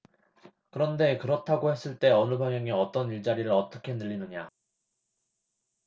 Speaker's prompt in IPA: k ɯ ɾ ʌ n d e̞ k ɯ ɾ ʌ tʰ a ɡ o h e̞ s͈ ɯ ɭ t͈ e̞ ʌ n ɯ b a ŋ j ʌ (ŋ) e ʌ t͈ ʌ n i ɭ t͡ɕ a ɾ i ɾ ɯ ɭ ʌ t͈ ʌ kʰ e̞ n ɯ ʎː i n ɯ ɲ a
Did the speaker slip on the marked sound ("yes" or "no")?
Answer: no